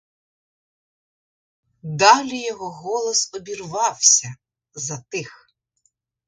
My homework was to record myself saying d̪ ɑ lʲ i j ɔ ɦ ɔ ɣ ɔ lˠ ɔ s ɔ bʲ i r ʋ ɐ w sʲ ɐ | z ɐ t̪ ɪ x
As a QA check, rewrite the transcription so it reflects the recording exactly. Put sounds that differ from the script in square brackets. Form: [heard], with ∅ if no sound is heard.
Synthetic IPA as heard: d̪ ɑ lʲ i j ɔ ɦ ɔ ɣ ɔ lˠ ɔ s ɔ bʲ i r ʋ [ɑ] w sʲ ɐ | z ɐ t̪ ɪ x

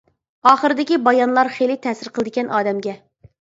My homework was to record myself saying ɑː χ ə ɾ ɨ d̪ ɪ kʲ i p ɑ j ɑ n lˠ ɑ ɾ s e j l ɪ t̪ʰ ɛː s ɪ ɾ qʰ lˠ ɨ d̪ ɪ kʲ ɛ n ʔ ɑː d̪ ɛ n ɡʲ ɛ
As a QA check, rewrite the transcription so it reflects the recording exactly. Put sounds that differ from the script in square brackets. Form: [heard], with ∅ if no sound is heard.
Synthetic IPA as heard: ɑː χ ə ɾ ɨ d̪ ɪ kʲ i [b] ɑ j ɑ n lˠ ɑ ɾ [χ] e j l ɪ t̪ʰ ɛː s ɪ ɾ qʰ lˠ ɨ d̪ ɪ kʲ ɛ n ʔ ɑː d̪ ɛ [m] ɡʲ ɛ

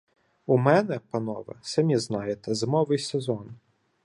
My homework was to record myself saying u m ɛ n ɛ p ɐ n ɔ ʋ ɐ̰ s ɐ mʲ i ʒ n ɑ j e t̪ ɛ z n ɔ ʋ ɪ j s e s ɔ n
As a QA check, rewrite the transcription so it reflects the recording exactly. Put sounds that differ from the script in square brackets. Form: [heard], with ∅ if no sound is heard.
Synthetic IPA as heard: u m ɛ n ɛ p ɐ n ɔ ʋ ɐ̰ s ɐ mʲ i [z] n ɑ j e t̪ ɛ z [m] ɔ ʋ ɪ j s e [z] ɔ n

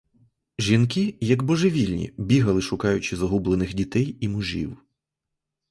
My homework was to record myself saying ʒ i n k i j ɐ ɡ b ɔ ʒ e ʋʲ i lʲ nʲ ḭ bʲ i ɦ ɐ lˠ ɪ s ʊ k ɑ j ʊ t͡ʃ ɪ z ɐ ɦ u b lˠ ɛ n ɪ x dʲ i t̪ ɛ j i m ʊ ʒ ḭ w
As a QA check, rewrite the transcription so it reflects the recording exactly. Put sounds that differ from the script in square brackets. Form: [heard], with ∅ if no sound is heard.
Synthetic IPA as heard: ʒ i n k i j ɐ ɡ b ɔ ʒ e ʋʲ i lʲ nʲ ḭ bʲ i ɦ ɐ lˠ ɪ [ʃ] ʊ k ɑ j ʊ t͡ʃ ɪ z ɐ ɦ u b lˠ [e] n ɪ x dʲ i t̪ ɛ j i m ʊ ʒ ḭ w

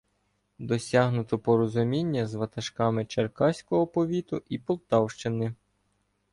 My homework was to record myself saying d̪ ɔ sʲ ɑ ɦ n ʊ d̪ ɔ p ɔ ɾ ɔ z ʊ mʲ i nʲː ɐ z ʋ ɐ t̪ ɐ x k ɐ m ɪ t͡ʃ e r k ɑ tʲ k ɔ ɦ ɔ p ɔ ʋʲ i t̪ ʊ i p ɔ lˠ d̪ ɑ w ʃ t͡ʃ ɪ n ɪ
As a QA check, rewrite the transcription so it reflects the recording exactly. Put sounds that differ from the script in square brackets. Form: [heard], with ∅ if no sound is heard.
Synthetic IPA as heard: d̪ ɔ sʲ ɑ ɦ n ʊ [t̪] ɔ p ɔ ɾ ɔ z ʊ mʲ i nʲː ɐ z ʋ ɐ t̪ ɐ [ʃ] k [ɑ] m ɪ t͡ʃ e r k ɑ [sʲ] k ɔ ɦ ɔ p ɔ ʋʲ i t̪ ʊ i p ɔ lˠ [t̪] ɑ w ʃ t͡ʃ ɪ n ɪ

